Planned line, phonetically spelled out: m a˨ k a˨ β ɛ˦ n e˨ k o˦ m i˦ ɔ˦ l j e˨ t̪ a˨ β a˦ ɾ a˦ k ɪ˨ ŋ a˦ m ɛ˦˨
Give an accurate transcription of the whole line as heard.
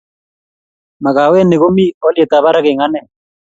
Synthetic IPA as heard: m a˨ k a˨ w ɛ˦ n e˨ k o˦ m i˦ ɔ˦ l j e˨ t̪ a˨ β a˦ ɾ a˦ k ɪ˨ ŋ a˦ n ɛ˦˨